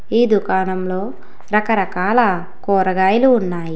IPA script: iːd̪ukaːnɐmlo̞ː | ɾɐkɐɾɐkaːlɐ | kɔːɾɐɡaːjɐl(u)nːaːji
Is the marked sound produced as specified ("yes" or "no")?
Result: no